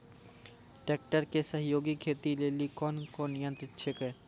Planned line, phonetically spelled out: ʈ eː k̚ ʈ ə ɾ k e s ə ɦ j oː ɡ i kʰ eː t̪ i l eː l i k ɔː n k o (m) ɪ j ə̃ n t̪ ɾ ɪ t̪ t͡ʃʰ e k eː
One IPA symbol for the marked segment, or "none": n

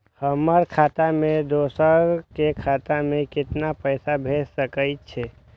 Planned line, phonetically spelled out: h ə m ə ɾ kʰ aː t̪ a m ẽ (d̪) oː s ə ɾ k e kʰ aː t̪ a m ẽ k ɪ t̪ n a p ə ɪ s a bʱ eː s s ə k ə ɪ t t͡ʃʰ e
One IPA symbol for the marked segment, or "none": d̪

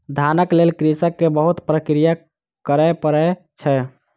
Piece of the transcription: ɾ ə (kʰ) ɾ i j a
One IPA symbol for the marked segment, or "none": k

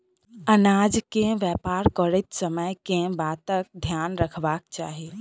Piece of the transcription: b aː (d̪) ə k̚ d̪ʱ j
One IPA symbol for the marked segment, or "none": t̪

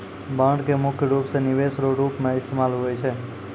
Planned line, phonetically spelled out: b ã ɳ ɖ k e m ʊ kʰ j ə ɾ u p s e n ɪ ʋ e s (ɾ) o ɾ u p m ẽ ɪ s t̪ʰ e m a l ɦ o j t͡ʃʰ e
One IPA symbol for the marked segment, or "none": ɾ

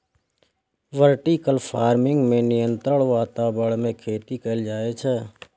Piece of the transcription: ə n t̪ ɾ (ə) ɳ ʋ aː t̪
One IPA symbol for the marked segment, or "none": ə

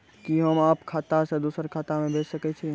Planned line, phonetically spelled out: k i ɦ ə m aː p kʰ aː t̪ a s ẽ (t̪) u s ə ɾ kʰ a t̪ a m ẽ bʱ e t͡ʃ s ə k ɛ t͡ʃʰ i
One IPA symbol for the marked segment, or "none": d̪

